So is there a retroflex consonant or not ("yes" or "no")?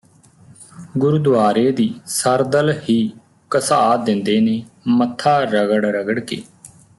yes